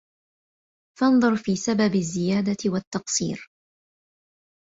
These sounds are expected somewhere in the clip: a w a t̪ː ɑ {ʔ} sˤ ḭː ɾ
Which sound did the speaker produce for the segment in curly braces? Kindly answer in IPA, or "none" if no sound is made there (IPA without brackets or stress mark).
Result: q